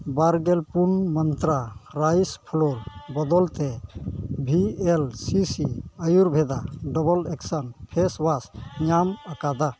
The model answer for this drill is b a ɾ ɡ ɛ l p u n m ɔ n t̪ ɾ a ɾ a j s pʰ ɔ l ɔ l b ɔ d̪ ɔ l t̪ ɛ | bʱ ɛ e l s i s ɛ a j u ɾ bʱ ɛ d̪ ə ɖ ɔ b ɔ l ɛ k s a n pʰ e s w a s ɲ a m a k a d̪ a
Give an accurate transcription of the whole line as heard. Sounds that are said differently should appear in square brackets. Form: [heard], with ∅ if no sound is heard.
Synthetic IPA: b a ɾ ɡ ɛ l p u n m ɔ n t̪ ɾ a ɾ a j s pʰ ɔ l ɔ l b ɔ d̪ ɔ l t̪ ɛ | bʱ [i] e l s i s [i] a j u ɾ bʱ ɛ d̪ [a] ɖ ɔ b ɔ l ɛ k s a n pʰ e s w a s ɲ a m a k a d̪ a